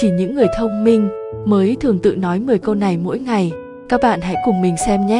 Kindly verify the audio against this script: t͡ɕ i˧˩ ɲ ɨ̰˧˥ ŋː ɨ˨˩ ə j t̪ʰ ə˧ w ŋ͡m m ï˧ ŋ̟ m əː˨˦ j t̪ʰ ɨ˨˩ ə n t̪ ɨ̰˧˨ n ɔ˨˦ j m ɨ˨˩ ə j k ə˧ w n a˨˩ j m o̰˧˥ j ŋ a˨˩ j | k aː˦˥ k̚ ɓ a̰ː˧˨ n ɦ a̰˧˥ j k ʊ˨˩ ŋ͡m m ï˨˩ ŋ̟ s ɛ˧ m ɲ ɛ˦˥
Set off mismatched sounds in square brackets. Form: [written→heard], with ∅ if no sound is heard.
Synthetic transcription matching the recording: t͡ɕ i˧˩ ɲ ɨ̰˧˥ ŋː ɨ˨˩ ə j t̪ʰ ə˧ w ŋ͡m m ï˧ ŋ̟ m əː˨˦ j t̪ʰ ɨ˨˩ ə [n→ŋ] t̪ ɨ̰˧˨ n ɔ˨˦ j m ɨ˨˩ ə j k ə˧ w n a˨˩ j m o̰˧˥ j ŋ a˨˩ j | k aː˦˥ k̚ ɓ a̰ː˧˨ n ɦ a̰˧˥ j k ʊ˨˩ ŋ͡m m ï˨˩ ŋ̟ s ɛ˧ m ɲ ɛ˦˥